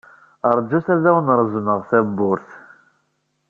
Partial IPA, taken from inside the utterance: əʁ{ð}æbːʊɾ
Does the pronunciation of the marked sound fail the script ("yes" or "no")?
yes